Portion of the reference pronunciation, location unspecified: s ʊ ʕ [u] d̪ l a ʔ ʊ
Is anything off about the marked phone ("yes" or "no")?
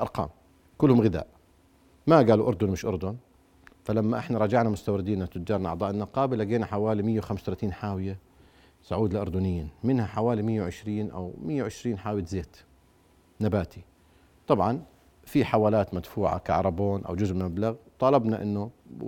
yes